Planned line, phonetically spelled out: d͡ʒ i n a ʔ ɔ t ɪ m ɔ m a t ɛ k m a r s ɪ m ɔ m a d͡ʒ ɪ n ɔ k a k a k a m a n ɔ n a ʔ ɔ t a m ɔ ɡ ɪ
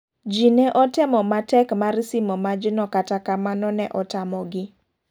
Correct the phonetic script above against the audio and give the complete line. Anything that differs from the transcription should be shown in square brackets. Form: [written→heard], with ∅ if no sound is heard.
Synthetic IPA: d͡ʒ i n [a→ɛ] ʔ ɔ t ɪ m ɔ m a t ɛ k m a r s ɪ m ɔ m a d͡ʒ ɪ n ɔ k a [k→t] a k a m a n ɔ n [a→ɛ] ʔ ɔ t a m ɔ ɡ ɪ